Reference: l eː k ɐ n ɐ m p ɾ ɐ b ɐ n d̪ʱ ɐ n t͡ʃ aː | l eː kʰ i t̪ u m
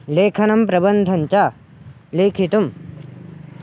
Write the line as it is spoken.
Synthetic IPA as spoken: l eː kʰ ɐ n ɐ m p ɾ ɐ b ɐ n d̪ʱ ɐ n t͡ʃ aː | l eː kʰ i t̪ u m